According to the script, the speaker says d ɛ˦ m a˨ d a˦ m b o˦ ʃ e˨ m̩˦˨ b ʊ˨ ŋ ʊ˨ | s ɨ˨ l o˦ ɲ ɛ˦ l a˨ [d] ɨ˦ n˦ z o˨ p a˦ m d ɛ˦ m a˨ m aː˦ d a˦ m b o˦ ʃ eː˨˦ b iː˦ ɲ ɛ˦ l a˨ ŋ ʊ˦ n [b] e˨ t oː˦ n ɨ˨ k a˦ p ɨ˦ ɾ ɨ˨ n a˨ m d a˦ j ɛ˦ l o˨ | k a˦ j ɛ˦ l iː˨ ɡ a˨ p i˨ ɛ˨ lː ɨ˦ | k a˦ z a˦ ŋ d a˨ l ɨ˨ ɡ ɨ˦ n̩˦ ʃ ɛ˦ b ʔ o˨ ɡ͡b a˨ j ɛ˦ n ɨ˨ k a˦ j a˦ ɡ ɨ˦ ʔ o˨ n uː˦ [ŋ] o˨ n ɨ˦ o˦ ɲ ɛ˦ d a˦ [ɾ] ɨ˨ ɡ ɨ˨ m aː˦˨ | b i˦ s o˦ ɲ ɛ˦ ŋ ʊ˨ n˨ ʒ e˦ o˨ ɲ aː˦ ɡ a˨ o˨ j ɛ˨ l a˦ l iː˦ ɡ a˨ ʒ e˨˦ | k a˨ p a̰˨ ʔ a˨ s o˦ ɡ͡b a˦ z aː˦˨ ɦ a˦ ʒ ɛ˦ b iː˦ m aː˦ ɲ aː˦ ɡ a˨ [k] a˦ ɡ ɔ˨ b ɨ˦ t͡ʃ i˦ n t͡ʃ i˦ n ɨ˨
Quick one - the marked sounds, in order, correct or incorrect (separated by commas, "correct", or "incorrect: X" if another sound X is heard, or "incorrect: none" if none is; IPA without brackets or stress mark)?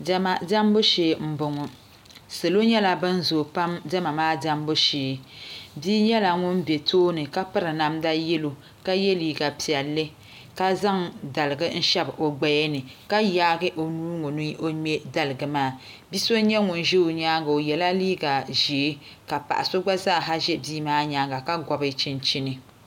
incorrect: b, correct, correct, incorrect: l, correct